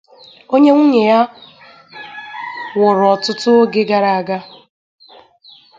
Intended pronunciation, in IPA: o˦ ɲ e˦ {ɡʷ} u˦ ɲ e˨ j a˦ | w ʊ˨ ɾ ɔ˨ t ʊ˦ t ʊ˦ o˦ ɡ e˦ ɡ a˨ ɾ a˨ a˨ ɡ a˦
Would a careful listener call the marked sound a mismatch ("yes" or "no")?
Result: yes